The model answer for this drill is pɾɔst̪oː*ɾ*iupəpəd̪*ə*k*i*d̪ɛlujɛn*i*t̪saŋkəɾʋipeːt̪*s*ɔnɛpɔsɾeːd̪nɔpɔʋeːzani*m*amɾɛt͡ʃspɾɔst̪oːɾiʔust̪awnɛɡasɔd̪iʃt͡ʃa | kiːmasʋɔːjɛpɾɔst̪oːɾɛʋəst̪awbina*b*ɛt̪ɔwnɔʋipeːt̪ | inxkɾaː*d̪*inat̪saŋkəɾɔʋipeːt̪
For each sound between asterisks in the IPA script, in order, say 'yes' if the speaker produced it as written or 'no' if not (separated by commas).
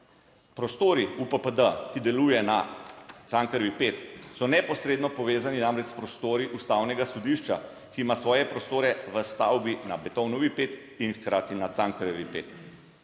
yes, yes, yes, no, yes, no, yes, no